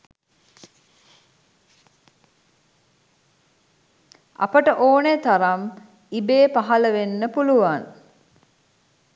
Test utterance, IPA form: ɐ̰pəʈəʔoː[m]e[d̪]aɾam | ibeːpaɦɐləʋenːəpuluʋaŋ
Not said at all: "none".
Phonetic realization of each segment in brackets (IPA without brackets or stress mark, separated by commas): n, t̪